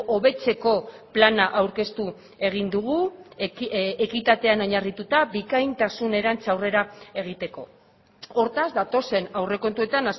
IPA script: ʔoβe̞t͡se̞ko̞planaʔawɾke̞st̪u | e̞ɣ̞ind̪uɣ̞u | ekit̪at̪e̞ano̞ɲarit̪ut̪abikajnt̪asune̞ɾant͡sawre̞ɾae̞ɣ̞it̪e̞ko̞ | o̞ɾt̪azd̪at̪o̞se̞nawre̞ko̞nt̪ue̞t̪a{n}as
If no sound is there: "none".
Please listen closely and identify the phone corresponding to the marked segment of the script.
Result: n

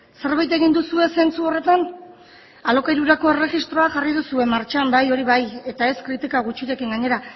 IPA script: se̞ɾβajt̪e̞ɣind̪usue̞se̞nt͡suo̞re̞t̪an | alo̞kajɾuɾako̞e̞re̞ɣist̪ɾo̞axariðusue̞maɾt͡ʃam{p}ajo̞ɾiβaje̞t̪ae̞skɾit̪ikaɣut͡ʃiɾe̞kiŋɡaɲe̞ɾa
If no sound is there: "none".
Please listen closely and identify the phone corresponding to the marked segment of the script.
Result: b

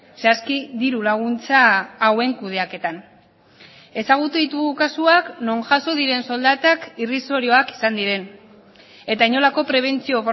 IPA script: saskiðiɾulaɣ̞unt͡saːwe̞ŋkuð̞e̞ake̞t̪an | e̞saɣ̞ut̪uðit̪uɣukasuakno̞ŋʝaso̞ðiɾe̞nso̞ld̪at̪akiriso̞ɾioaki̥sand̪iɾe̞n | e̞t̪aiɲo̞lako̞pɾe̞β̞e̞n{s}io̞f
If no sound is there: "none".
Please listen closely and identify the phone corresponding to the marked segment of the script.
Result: t͡s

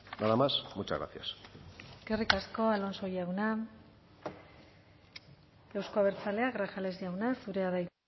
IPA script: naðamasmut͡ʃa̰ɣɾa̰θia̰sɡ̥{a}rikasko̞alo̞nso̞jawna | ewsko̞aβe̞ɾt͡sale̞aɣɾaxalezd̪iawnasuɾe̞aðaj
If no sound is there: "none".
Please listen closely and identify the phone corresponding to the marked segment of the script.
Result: e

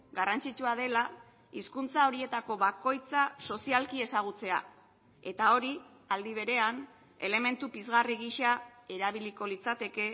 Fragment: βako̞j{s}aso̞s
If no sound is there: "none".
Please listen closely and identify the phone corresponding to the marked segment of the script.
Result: t͡s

